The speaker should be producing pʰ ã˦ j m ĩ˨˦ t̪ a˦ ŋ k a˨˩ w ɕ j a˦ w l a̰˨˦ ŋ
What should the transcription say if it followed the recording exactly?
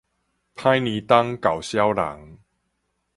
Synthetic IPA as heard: pʰ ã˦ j n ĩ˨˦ t̪ a˦ ŋ k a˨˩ w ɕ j a˦ w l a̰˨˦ ŋ